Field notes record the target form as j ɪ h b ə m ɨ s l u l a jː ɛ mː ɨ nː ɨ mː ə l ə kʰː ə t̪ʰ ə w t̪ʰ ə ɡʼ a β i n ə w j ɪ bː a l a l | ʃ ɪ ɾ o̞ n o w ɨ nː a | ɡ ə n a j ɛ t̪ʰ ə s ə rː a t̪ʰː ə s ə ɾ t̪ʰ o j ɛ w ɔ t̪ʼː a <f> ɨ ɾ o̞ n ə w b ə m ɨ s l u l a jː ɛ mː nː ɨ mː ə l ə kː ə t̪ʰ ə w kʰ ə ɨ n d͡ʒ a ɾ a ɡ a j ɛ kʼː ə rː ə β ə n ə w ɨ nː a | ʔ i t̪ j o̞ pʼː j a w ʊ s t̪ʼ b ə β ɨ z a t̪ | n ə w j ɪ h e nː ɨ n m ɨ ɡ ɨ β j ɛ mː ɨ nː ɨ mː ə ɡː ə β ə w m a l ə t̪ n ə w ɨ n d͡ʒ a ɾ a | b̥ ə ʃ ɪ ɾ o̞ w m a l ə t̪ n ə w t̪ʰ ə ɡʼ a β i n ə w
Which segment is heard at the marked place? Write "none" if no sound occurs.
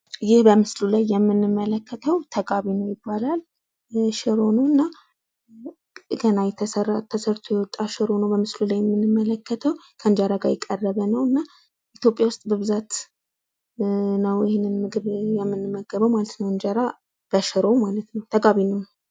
ʃ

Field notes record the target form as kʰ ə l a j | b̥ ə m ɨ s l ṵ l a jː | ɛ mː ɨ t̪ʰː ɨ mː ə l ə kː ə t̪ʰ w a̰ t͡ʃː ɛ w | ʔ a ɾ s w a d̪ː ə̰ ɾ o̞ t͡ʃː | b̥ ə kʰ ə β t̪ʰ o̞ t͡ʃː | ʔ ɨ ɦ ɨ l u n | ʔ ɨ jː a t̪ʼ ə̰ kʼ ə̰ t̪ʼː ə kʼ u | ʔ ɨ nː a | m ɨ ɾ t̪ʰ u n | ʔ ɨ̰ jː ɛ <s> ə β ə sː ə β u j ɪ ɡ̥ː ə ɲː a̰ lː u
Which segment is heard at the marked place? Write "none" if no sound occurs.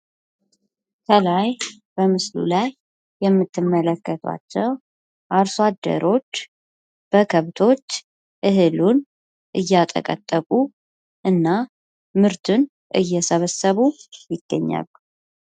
s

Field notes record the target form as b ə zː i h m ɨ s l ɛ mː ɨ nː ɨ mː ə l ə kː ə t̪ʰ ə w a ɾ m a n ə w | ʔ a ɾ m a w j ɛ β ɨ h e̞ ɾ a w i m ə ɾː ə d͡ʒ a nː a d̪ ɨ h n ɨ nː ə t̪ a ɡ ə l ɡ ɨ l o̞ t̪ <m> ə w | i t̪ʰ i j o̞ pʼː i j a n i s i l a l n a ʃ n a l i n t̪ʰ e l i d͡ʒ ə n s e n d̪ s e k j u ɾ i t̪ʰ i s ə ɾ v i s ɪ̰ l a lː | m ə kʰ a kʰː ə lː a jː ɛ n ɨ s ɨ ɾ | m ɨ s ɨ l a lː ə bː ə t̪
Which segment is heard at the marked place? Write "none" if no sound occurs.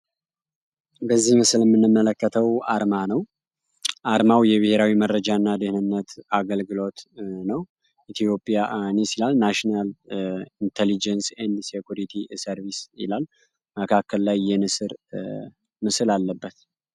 n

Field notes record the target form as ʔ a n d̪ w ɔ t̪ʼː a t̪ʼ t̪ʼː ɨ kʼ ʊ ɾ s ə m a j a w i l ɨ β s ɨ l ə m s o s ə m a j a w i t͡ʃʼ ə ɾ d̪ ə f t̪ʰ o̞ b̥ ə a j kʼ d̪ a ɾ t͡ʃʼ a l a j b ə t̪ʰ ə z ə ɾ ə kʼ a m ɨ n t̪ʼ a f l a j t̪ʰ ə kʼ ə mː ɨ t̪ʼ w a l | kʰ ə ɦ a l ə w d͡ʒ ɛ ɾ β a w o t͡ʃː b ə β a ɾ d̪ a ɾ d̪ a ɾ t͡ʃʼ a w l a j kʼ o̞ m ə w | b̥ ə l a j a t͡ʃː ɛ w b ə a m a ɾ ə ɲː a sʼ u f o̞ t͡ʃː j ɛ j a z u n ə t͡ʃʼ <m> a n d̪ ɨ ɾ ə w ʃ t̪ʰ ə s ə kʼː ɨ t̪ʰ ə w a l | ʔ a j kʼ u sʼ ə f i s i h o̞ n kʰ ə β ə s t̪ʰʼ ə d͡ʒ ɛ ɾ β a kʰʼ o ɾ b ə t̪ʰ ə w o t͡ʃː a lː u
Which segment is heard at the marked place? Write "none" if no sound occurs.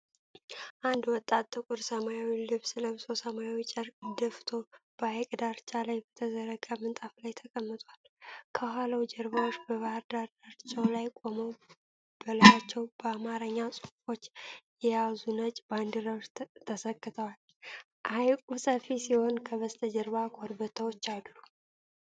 b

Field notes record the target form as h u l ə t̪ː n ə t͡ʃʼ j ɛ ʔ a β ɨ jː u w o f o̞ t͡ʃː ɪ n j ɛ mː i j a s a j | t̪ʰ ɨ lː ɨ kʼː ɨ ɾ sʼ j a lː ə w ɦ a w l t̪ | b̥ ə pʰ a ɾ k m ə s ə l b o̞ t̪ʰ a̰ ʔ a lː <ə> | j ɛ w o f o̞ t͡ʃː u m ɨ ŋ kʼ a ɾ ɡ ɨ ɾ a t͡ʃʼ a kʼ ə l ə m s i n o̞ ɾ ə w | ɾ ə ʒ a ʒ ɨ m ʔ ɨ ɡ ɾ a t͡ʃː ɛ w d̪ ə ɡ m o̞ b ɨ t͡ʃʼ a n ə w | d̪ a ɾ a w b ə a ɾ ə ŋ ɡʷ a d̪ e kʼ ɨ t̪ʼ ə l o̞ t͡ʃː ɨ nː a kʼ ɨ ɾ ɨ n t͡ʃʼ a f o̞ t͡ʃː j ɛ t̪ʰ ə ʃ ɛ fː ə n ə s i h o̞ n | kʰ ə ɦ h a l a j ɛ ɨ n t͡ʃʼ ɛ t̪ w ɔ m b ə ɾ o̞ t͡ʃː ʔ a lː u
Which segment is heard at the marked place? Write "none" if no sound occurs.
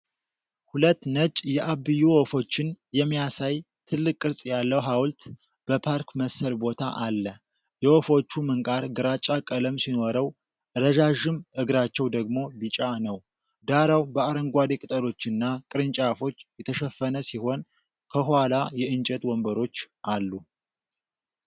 ə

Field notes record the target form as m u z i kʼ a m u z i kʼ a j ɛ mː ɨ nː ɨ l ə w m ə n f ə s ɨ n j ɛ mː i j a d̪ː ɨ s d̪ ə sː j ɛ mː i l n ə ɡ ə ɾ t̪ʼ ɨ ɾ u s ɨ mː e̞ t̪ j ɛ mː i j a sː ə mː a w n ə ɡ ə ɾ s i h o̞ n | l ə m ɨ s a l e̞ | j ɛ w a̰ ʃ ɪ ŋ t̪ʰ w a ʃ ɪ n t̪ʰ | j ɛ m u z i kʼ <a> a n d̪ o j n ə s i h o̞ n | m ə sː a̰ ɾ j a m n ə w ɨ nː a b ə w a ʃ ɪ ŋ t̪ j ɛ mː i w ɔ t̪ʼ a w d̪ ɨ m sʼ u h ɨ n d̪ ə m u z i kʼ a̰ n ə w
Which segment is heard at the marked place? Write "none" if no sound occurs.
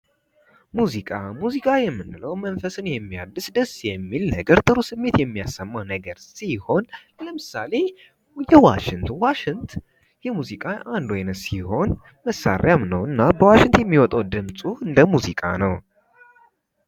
a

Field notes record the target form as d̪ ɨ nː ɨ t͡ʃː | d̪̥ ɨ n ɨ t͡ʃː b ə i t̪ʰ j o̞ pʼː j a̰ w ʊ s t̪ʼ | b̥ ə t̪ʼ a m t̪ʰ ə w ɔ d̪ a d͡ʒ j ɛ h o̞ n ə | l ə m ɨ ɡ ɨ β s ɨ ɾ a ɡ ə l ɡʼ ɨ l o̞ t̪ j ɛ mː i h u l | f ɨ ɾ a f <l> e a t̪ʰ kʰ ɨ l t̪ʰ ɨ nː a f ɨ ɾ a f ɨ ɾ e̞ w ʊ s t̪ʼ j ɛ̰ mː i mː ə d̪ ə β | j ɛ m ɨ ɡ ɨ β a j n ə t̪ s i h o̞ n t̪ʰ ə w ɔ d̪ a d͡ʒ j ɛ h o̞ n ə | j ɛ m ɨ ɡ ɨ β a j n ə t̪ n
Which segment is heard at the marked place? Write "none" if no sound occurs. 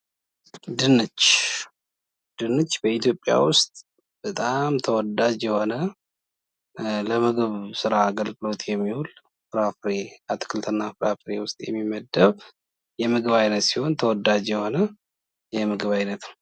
ɾ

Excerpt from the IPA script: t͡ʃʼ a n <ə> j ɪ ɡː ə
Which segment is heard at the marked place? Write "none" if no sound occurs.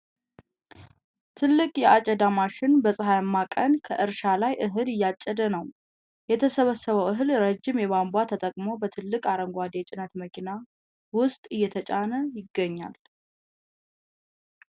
ə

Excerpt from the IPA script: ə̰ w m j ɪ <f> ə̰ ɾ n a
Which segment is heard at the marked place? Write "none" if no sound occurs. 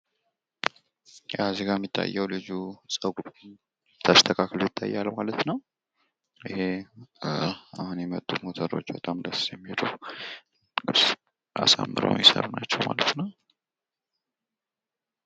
s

